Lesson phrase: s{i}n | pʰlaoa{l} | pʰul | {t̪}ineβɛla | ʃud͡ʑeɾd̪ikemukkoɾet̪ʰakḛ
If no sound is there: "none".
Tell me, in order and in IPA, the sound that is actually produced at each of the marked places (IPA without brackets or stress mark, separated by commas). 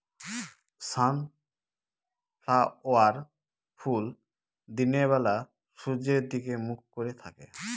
a, ɾ, d̪